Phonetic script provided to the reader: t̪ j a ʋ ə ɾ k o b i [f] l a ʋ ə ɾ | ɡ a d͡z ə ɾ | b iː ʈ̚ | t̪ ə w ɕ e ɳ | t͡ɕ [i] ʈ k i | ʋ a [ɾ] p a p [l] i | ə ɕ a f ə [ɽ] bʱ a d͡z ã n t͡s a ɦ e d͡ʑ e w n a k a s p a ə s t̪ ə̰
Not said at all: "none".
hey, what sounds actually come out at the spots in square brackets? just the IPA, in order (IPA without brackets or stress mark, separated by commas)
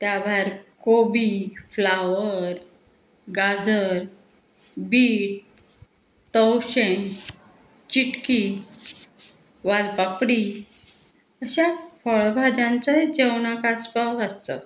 f, i, l, ɽ, ɭ